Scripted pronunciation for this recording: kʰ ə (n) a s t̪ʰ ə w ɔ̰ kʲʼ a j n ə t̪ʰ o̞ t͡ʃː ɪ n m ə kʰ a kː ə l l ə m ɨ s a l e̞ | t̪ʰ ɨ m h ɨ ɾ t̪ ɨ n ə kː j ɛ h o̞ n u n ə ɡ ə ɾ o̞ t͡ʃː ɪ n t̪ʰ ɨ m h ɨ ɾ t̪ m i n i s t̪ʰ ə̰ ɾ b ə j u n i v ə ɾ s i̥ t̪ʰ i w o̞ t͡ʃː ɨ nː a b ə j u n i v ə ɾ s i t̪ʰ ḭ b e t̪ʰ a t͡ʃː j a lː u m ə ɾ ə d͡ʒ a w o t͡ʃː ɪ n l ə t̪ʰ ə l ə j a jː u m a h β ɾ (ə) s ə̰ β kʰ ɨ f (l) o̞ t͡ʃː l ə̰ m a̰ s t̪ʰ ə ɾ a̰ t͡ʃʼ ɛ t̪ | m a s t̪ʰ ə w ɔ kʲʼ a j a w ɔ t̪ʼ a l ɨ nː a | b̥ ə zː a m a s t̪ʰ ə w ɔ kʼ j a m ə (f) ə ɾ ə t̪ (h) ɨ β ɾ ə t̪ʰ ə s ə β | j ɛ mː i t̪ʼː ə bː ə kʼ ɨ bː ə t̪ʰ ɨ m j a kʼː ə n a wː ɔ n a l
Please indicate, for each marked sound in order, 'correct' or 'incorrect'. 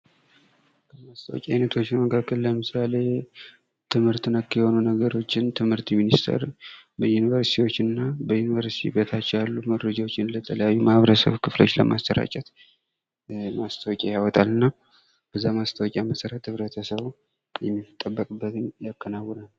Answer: incorrect, correct, correct, incorrect, correct

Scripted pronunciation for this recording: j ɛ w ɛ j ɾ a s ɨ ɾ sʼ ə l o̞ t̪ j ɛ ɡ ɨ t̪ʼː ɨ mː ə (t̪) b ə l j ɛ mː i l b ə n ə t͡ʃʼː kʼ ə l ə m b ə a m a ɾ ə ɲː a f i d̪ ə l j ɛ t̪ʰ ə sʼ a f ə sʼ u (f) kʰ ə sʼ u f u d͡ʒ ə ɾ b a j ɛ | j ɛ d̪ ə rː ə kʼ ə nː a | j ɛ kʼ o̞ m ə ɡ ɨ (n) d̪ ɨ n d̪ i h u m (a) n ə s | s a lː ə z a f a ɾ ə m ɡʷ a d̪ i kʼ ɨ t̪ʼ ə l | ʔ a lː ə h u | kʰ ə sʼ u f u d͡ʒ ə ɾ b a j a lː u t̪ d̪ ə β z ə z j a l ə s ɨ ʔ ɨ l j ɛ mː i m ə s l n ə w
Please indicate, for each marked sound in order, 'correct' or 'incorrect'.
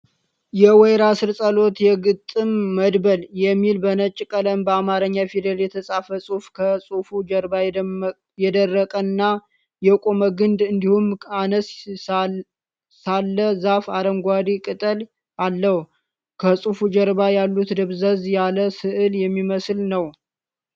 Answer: incorrect, correct, correct, correct

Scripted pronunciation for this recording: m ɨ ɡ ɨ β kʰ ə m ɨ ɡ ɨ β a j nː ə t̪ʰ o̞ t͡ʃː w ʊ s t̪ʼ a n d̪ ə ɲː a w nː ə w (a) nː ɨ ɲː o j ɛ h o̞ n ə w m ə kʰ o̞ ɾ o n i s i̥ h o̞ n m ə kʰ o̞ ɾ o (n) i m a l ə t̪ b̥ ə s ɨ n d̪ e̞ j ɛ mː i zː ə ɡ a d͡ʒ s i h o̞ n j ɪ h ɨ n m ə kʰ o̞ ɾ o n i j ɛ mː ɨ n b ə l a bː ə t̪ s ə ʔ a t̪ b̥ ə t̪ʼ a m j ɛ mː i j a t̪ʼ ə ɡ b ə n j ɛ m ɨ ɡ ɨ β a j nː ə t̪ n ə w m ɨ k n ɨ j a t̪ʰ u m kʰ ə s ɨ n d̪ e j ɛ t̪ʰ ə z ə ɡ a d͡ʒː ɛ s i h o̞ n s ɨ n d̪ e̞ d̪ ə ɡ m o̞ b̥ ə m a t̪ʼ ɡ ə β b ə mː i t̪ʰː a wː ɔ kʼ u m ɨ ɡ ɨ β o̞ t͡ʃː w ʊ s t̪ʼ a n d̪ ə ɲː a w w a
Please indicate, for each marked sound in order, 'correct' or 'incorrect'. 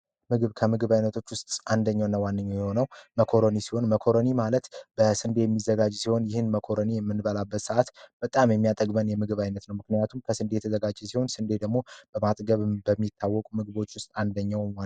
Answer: correct, correct

